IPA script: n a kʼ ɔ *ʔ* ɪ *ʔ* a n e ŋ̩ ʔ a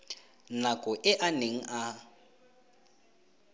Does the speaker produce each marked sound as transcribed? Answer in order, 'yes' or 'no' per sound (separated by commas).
yes, yes